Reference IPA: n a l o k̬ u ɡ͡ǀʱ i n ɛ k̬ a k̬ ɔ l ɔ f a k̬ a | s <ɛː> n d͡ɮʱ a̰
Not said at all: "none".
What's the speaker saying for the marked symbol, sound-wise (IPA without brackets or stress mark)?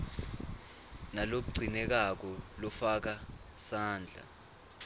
aː